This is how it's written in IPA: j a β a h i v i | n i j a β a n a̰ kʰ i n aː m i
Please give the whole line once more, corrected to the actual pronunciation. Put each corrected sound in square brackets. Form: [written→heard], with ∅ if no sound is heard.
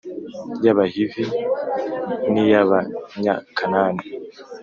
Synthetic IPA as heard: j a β a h i v i | n i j a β a [n→ɲ] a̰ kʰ [i→a] n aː [m→n] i